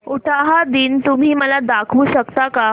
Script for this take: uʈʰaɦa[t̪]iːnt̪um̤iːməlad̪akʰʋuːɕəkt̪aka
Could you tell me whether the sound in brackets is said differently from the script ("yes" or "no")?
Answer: yes